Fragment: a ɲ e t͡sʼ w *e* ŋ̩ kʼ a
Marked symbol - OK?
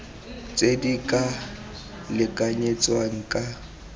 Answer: no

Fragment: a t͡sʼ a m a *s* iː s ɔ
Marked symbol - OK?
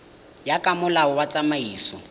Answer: no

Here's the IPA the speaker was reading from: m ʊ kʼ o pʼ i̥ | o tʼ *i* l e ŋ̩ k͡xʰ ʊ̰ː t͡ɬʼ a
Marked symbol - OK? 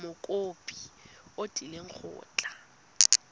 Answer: yes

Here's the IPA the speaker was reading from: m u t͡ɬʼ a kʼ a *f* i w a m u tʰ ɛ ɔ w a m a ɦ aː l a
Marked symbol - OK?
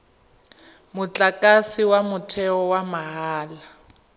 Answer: no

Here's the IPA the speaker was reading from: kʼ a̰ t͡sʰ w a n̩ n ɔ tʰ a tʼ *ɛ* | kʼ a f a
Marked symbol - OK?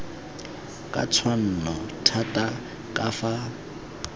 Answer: no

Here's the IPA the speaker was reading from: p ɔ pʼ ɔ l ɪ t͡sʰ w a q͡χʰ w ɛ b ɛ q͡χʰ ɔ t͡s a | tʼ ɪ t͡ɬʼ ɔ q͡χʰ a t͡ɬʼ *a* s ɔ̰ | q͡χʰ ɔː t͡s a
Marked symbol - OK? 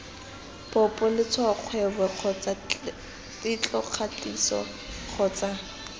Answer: no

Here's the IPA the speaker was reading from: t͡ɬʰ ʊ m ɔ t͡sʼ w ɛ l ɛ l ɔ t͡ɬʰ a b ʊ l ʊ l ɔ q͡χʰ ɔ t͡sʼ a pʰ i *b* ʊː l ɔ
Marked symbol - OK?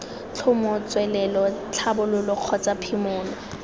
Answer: no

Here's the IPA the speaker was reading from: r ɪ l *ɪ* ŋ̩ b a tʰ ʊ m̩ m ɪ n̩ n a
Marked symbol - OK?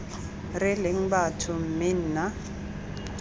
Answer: yes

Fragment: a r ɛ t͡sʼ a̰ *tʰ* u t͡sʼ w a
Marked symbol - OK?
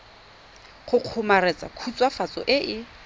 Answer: no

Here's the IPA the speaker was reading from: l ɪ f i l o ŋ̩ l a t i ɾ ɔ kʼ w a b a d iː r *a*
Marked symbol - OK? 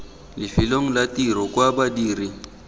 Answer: no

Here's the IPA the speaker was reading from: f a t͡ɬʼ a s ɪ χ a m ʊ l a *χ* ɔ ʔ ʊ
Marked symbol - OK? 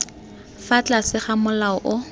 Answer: no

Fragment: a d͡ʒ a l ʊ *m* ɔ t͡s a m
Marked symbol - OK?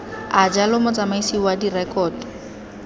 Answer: yes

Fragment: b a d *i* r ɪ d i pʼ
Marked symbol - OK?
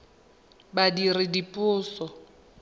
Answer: yes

